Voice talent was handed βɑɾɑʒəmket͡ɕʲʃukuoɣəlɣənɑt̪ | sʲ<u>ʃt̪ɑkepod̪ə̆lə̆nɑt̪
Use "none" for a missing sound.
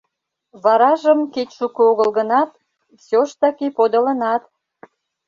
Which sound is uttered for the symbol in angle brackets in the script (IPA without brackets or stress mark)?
o